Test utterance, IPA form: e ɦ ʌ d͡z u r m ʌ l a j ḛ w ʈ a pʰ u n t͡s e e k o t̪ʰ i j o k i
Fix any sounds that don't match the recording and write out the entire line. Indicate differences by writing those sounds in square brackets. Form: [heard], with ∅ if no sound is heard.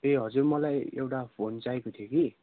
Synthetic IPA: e ɦ ʌ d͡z u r m ʌ l a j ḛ w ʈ a pʰ [o] n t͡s [a] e k o t̪ʰ i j o k i